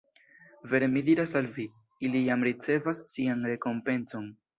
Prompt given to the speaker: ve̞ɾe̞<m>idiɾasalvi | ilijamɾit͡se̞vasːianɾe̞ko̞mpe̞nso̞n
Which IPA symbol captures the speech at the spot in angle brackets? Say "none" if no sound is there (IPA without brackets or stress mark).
m